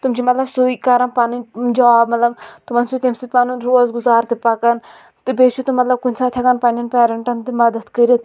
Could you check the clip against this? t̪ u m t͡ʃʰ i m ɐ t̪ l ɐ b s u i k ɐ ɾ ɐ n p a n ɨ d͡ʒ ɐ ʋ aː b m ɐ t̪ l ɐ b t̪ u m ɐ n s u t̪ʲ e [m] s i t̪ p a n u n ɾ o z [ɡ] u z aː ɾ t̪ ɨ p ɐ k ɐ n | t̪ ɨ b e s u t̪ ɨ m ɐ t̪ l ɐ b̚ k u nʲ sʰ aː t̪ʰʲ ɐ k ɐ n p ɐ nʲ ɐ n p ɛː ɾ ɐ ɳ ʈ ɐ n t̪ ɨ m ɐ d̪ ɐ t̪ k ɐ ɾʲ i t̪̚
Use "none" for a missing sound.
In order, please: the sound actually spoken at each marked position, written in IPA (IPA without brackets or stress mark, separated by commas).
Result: m, ɡ